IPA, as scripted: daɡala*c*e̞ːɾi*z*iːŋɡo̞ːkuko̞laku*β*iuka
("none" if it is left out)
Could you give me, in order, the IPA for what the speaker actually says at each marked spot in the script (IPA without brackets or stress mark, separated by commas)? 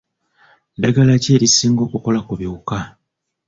c, s, β